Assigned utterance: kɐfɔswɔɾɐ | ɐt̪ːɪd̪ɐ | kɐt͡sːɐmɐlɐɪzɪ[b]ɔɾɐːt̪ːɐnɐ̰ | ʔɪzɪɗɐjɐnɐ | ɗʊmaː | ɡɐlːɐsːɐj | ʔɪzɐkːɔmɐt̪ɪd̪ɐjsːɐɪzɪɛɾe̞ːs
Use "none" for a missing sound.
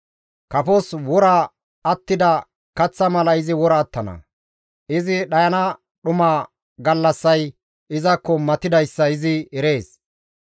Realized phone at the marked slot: w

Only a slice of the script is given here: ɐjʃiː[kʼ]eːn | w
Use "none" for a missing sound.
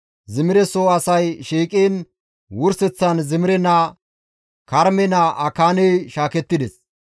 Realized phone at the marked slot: kʼ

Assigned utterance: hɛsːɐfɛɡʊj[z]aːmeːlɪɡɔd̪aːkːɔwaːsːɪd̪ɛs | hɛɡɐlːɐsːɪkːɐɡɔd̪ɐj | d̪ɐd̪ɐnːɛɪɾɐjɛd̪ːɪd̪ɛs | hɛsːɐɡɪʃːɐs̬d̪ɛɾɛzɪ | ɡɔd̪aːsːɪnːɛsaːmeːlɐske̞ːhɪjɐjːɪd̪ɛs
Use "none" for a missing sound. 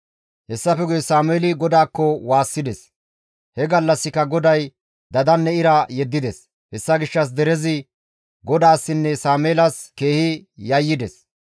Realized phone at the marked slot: s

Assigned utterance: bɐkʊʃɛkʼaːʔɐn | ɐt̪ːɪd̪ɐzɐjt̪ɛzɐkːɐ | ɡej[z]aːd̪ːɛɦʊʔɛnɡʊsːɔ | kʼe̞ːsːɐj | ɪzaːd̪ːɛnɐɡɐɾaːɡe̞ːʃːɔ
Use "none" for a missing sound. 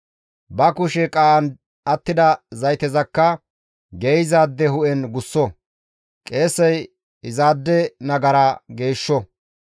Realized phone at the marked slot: z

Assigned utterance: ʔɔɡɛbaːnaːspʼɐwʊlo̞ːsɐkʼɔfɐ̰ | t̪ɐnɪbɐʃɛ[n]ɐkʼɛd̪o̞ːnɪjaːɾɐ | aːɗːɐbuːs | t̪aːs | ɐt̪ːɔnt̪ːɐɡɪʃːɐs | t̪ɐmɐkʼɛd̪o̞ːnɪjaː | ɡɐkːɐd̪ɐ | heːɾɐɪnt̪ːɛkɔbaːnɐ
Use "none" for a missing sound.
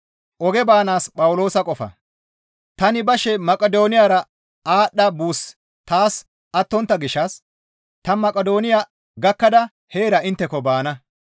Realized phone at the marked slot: m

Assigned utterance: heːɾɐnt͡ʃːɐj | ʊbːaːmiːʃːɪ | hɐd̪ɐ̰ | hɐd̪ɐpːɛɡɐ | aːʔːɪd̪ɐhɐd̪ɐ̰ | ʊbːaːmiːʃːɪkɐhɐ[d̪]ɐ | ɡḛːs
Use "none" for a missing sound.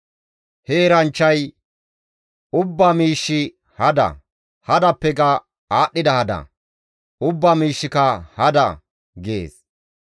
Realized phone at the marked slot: d̪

